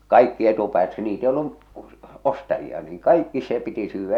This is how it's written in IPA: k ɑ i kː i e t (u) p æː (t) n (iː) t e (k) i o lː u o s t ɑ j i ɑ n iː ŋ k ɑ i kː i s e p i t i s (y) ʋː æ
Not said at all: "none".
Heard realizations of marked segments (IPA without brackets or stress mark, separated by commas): u, t, iː, none, yː